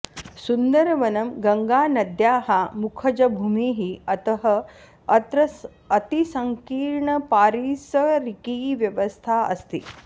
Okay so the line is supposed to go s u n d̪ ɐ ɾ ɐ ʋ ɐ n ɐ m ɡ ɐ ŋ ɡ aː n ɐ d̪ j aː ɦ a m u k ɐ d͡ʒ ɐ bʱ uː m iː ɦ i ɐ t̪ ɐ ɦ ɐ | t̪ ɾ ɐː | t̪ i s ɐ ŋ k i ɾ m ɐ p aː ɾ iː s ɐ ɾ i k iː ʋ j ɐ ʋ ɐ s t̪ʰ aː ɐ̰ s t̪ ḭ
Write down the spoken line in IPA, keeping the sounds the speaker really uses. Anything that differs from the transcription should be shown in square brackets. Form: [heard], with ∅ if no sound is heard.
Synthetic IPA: s u n d̪ ɐ ɾ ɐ ʋ ɐ n ɐ m ɡ ɐ ŋ ɡ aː n ɐ d̪ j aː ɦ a m u [kʰ] ɐ d͡ʒ ɐ bʱ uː m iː ɦ i ɐ t̪ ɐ ɦ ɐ | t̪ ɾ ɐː | t̪ i s ɐ ŋ k [iː] ɾ [ɳ] ɐ p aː ɾ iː s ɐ ɾ i k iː ʋ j ɐ ʋ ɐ s t̪ʰ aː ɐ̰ s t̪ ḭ